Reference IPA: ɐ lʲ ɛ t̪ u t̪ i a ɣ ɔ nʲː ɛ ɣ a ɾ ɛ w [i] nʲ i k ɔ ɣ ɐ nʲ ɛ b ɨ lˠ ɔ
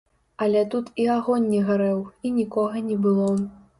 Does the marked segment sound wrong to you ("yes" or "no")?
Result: no